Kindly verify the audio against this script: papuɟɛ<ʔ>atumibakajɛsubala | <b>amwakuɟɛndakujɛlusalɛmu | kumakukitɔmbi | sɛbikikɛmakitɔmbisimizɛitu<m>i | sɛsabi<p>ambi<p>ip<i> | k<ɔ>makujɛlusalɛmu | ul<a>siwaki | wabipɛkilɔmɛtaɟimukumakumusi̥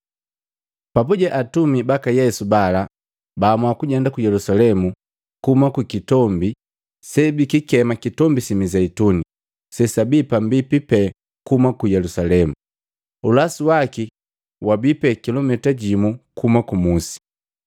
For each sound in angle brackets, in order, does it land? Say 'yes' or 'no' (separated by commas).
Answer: yes, yes, no, yes, yes, no, no, yes